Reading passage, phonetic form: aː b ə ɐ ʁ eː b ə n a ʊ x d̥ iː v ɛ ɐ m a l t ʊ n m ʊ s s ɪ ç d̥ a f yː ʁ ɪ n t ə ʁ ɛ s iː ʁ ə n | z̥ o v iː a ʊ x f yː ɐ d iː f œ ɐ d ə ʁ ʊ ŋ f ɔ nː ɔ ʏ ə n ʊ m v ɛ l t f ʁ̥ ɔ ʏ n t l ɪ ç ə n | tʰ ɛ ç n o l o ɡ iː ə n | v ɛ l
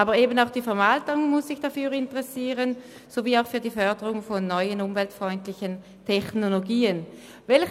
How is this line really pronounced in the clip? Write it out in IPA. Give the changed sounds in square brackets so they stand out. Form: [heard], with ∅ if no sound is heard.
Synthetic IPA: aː b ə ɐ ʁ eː b ə n a ʊ x d̥ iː [f] ɛ ɐ m a l t ʊ [ŋ] m ʊ s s ɪ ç d̥ a f yː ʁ ɪ n t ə ʁ ɛ s iː ʁ ə n | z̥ o v iː a ʊ x f yː ɐ d iː f œ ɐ d ə ʁ ʊ ŋ f ɔ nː ɔ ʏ ə n ʊ m v ɛ l t f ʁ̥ ɔ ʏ n t l ɪ ç ə n | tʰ ɛ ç n o l o ɡ iː ə n | v ɛ l